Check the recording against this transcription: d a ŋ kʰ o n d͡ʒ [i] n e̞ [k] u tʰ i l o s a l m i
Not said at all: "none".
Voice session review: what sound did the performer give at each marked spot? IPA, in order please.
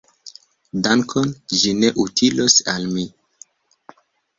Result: i, ʔ

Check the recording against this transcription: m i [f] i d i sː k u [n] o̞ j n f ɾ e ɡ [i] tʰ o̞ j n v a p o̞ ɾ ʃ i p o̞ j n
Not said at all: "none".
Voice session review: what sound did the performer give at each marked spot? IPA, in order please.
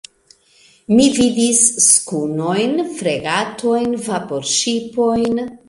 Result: v, n, a

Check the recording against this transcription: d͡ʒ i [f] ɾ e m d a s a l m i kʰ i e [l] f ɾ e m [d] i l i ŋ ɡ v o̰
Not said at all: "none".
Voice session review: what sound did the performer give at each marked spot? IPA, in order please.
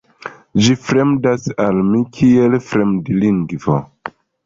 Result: f, l, d

